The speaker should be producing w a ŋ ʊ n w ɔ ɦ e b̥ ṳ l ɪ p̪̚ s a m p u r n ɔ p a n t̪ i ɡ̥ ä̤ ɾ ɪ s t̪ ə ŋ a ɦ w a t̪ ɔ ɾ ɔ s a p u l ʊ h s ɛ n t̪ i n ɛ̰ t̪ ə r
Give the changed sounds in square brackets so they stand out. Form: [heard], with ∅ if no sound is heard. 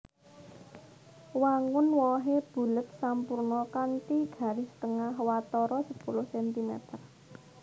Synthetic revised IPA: w a ŋ ʊ n w ɔ ɦ e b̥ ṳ l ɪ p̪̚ s a m p u r n ɔ [k] a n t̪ i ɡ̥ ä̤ ɾ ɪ s t̪ ə ŋ a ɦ w a t̪ ɔ ɾ ɔ s [ə] p u l ʊ h s ɛ n t̪ i [m] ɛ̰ t̪ ə r